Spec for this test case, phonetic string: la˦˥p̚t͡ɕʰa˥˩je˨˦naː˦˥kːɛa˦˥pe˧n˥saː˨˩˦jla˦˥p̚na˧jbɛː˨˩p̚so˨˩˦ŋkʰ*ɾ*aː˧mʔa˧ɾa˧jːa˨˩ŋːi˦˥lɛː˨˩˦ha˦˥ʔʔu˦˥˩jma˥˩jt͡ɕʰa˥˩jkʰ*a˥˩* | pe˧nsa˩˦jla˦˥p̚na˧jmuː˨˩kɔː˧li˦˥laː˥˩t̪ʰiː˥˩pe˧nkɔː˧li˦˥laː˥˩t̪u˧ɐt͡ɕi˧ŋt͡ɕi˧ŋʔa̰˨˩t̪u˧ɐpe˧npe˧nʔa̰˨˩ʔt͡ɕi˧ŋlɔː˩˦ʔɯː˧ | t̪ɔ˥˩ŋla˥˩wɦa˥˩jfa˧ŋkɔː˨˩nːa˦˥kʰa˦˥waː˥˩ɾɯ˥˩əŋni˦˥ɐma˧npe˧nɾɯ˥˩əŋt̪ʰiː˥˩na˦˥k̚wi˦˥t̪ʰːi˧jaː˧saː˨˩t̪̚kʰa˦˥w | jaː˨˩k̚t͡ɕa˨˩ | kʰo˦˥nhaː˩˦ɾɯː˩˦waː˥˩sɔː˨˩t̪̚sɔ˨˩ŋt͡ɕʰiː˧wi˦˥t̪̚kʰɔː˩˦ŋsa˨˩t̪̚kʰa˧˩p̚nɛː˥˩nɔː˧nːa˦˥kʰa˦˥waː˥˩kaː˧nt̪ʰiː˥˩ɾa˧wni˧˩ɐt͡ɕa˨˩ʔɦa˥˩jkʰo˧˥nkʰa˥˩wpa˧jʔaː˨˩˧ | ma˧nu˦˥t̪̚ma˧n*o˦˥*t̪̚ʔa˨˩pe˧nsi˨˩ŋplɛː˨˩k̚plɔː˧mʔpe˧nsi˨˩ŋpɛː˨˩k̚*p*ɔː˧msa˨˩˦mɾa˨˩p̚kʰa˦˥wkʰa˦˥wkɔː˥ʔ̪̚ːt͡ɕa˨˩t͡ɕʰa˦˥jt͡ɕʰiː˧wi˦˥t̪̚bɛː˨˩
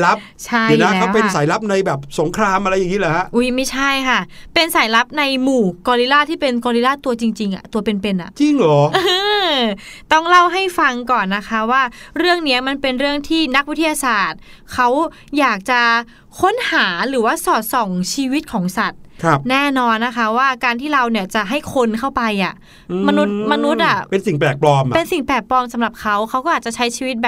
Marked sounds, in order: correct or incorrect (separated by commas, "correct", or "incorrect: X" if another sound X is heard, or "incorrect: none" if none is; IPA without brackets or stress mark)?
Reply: correct, correct, incorrect: u˦˥, correct